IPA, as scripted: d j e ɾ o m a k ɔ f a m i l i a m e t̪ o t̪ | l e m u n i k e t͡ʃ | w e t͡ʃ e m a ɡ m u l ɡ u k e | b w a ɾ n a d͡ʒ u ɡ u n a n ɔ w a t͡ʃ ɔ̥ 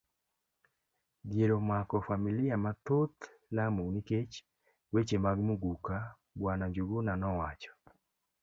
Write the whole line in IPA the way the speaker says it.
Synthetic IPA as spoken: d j e ɾ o m a k ɔ f a m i l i a m a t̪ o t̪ | l a m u n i k e t͡ʃ | w e t͡ʃ e m a ɡ m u ɡ u k a | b w a n a d͡ʒ u ɡ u n a n ɔ w a t͡ʃ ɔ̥